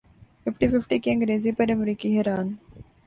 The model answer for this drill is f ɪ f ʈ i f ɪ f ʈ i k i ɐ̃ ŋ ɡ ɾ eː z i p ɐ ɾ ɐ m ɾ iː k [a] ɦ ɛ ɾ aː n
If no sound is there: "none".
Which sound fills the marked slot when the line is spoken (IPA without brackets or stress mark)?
i